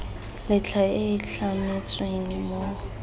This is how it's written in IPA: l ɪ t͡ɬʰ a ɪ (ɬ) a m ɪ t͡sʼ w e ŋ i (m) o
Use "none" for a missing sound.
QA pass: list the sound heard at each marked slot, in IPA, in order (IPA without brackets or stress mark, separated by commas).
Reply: ɬ, m